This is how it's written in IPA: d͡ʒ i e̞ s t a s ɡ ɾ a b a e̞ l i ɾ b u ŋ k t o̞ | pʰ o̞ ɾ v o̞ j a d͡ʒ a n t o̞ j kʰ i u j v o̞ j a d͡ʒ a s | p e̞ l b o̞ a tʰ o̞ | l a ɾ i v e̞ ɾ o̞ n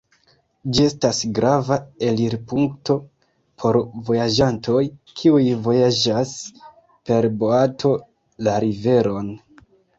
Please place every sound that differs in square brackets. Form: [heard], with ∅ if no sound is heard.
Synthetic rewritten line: d͡ʒ i e̞ s t a s ɡ ɾ a [v] a e̞ l i ɾ [p] u ŋ k t o̞ | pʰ o̞ ɾ v o̞ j a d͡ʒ a n t o̞ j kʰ i u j v o̞ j a d͡ʒ a s | p e̞ [ɾ] b o̞ a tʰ o̞ | l a ɾ i v e̞ ɾ o̞ n